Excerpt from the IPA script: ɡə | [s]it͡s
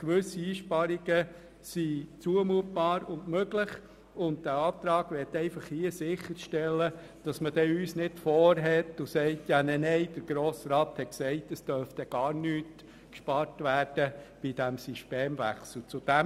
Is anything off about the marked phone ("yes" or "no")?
no